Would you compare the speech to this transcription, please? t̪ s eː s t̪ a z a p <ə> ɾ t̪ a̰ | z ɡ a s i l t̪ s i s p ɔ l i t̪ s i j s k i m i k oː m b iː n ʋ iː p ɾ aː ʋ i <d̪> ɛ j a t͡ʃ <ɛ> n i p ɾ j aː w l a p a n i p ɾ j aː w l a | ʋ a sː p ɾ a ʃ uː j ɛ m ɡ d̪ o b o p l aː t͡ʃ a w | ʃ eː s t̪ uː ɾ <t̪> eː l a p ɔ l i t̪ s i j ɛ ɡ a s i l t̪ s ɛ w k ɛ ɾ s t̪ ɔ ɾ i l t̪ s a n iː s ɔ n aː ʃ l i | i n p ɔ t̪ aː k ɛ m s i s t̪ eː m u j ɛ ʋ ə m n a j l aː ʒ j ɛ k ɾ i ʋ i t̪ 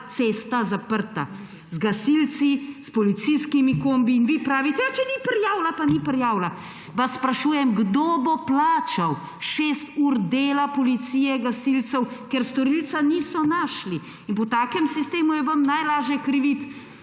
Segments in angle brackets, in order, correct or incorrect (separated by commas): correct, incorrect, correct, incorrect